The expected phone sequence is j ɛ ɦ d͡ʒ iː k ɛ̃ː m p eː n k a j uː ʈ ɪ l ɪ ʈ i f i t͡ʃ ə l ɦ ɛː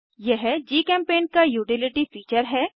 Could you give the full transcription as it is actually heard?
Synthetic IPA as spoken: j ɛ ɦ d͡ʒ iː k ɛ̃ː m p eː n k a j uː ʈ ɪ l ɪ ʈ i f iː t͡ʃ ə ɾ ɦ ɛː